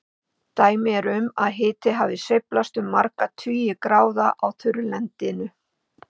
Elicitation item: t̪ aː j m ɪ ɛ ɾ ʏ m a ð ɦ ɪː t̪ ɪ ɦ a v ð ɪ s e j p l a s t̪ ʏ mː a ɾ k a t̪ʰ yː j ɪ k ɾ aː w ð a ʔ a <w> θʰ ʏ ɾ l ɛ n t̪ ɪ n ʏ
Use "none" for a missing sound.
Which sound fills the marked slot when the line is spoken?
w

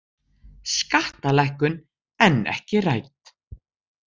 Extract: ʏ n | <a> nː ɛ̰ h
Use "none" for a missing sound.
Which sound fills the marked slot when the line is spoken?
ɛ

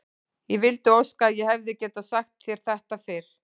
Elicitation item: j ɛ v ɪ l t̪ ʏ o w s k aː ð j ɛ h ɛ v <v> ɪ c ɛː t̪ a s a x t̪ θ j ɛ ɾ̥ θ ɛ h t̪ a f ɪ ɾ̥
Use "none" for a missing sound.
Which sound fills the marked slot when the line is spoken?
ð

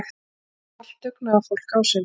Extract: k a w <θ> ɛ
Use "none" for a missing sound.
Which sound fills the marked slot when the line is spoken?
s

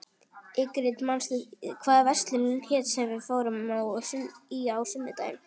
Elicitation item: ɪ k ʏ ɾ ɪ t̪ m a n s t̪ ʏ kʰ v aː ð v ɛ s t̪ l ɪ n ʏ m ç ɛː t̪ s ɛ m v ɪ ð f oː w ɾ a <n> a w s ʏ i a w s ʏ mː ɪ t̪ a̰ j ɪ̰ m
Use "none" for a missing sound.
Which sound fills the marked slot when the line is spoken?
m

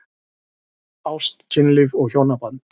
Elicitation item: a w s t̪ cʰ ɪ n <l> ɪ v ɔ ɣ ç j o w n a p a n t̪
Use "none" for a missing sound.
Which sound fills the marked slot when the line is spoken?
l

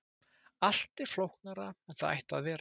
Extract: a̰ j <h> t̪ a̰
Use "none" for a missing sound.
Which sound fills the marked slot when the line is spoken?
h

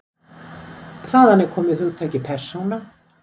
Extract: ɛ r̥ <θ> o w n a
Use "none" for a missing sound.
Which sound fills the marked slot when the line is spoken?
s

